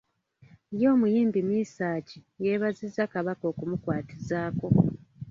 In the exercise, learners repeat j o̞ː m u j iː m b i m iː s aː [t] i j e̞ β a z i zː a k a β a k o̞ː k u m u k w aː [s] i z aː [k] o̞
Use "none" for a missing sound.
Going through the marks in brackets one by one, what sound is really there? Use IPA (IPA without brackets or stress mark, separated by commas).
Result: c, t, k